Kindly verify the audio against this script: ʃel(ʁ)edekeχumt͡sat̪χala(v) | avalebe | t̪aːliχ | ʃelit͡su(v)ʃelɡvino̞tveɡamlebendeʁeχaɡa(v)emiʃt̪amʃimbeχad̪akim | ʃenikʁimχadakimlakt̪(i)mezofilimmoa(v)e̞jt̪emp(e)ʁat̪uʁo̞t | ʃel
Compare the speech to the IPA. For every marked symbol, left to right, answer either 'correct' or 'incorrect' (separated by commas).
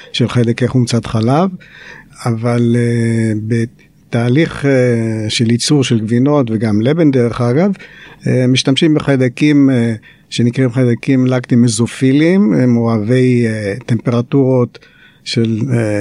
incorrect, correct, incorrect, correct, correct, correct, correct